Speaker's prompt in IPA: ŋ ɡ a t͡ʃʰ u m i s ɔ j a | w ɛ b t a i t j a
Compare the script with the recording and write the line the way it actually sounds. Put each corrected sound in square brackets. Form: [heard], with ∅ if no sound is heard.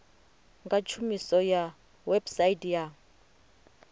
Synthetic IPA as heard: ŋ ɡ a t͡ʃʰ u m i s ɔ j a | w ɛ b [s] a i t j a